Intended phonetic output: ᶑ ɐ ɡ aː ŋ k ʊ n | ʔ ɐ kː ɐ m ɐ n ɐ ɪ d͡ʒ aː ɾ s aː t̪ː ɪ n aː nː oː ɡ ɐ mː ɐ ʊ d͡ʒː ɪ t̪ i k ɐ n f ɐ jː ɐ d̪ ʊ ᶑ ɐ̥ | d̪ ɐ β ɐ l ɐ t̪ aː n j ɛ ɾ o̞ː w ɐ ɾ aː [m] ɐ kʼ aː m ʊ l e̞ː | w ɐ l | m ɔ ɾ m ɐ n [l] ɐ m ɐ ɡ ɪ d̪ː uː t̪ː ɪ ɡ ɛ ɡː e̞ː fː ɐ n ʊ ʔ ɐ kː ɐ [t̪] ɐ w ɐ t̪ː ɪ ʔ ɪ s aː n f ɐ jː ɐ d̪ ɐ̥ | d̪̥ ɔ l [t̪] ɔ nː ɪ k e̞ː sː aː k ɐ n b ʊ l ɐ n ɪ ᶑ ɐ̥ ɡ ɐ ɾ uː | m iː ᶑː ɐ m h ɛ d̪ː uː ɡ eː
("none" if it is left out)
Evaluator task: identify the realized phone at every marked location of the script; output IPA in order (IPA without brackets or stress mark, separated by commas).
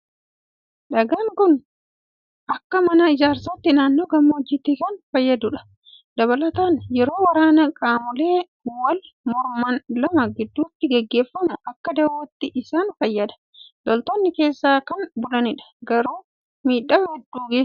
n, l, d̪, t̪